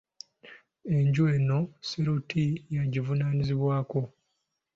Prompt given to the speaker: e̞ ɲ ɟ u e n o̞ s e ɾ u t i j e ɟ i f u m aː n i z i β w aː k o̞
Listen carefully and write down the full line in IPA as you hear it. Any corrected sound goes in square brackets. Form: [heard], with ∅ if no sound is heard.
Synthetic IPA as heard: e̞ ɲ ɟ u e n o̞ s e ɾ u t i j [a] ɟ i [v] u [n] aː n i z i β w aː k o̞